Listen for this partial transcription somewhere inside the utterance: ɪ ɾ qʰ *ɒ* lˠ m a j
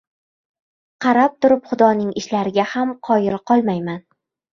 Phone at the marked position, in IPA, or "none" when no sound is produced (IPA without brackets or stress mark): ɒ